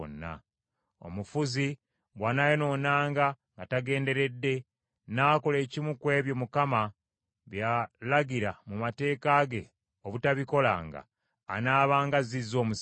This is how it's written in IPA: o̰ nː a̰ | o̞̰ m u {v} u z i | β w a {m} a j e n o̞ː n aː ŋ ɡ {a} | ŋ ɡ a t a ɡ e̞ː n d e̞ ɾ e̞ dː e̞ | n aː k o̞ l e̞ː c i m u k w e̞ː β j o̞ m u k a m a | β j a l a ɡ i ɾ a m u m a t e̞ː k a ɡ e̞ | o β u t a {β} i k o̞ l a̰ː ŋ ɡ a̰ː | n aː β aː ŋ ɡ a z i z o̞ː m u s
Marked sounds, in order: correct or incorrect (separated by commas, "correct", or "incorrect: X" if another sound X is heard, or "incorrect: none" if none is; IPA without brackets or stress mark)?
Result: incorrect: f, incorrect: n, correct, correct